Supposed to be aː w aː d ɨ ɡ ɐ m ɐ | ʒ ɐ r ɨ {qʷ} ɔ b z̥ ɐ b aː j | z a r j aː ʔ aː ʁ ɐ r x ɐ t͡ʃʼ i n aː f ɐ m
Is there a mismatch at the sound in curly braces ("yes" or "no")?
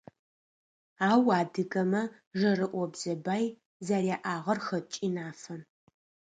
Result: yes